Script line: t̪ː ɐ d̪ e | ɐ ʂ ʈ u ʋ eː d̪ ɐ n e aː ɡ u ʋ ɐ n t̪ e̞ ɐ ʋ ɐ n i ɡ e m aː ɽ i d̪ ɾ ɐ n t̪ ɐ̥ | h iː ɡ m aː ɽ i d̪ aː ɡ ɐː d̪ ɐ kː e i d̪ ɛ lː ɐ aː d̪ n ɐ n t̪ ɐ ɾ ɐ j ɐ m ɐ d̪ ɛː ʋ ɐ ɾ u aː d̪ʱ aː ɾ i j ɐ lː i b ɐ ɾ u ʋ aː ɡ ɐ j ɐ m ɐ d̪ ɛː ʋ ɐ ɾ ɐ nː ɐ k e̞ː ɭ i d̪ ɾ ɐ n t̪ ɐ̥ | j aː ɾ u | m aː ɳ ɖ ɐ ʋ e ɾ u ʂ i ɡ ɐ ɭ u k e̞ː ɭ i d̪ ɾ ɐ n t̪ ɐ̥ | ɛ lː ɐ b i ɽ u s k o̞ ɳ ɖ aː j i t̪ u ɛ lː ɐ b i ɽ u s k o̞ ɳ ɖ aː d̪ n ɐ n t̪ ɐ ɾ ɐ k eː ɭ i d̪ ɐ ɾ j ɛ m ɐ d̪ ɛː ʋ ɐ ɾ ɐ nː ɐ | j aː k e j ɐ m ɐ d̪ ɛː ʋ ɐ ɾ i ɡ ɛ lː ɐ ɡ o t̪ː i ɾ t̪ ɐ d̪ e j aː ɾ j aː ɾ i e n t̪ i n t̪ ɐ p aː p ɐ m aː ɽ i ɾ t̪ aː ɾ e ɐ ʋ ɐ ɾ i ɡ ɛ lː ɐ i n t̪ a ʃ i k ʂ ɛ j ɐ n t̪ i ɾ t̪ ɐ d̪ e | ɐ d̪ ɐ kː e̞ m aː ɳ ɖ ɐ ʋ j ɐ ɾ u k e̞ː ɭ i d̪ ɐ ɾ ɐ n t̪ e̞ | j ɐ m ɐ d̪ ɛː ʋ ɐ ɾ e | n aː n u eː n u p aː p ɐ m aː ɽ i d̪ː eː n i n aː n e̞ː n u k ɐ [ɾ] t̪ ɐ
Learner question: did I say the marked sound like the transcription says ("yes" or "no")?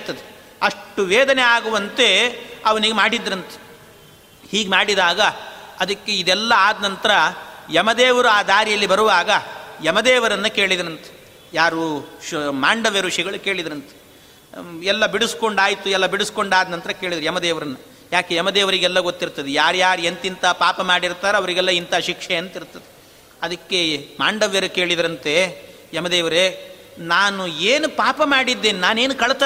no